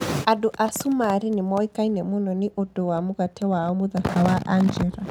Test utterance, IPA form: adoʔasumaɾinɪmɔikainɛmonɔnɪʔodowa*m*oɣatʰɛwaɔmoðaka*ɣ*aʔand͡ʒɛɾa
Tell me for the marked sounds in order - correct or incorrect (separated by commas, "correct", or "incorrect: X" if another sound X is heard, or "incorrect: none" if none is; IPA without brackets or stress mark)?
correct, incorrect: w